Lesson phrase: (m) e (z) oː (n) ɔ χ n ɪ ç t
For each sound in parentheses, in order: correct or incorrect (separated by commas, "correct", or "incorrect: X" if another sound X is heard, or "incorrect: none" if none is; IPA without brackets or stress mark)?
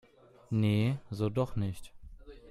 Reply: incorrect: n, correct, incorrect: d